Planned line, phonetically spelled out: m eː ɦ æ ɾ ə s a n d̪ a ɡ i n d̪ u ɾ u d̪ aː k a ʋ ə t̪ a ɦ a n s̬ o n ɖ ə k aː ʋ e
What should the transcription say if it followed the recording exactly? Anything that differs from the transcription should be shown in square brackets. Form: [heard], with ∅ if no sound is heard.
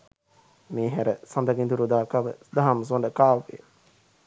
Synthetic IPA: m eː ɦ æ ɾ ə s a n d̪ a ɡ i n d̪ u ɾ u d̪ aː k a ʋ ə [d̪] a ɦ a [m] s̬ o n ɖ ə k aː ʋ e